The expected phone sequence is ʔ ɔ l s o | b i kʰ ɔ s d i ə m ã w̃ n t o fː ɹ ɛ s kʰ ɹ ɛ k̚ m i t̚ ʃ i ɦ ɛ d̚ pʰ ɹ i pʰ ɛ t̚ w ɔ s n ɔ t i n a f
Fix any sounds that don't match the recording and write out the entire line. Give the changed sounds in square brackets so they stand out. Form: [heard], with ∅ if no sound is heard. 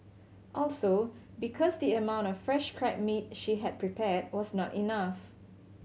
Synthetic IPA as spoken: ʔ ɔ l s o | b i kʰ ɔ s d i ə m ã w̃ n t [ɔ] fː ɹ ɛ [ʃ] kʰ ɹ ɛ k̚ m i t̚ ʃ i ɦ ɛ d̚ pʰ ɹ i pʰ ɛ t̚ w ɔ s n ɔ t i n a f